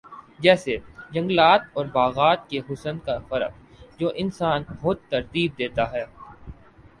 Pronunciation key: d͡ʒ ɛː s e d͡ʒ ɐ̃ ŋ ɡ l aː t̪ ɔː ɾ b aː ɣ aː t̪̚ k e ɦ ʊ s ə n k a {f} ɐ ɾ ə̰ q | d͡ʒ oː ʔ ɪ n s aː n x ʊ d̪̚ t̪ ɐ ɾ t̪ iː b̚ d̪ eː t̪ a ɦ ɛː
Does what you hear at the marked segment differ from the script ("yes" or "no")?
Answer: no